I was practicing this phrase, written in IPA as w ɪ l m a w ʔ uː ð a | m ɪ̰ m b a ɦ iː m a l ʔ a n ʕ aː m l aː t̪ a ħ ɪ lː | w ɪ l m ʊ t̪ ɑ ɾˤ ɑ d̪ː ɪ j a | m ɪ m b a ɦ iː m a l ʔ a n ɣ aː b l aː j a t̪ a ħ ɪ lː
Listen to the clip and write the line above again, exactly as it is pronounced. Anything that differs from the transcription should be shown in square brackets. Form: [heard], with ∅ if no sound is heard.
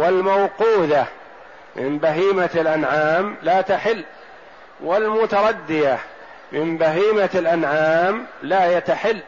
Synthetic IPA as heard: w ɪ l m a w [q] uː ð a | m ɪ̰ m b a ɦ iː m a l ʔ a n ʕ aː m l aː t̪ a ħ ɪ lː | w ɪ l m ʊ t̪ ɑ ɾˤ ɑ d̪ː ɪ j a | m ɪ m b a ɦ iː m a l ʔ a n [ʕ] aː [m] l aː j a t̪ a ħ ɪ lː